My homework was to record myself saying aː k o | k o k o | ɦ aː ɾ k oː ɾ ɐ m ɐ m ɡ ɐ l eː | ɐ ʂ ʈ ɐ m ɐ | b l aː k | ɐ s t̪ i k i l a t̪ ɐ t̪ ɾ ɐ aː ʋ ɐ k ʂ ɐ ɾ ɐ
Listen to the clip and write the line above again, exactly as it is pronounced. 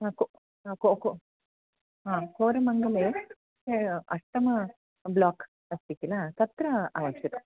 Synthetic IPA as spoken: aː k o | k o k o | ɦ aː k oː ɾ ɐ m ɐ ŋ ɡ ɐ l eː | ɐ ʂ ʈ ɐ m ɐ | b l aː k | ɐ s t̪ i k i l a t̪ ɐ t̪ ɾ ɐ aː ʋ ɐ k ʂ ɐ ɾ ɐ